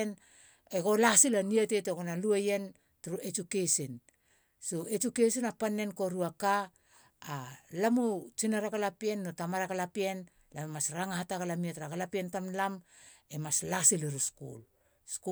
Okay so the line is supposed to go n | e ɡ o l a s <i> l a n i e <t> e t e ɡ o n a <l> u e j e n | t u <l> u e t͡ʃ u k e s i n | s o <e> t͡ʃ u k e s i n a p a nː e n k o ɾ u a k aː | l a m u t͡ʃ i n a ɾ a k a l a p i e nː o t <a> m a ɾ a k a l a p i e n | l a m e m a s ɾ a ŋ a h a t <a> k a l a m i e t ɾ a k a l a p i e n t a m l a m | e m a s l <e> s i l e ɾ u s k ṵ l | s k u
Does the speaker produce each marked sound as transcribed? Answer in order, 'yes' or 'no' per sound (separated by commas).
yes, yes, yes, no, yes, yes, yes, no